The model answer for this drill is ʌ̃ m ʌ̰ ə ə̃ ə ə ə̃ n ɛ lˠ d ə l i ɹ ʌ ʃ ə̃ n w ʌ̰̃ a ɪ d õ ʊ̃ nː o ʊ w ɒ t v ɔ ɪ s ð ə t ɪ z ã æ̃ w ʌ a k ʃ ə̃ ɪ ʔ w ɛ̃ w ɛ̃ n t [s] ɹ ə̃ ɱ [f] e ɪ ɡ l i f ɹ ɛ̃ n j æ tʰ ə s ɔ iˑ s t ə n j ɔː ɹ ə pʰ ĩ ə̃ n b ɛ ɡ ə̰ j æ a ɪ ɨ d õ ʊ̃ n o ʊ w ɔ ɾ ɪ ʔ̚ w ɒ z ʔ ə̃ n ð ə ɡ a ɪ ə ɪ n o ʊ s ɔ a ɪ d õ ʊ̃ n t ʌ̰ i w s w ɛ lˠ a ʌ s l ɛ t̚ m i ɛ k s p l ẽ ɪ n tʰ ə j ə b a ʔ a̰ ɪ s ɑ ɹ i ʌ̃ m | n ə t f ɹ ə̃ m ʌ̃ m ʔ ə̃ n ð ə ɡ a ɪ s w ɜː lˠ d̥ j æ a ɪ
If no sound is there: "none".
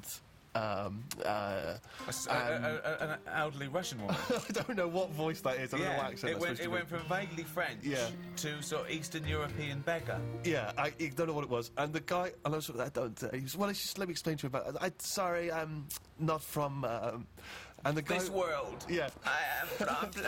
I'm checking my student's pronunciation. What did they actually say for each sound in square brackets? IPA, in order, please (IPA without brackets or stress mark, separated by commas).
f, v